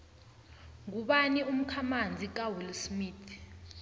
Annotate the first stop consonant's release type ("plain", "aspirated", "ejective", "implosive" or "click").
implosive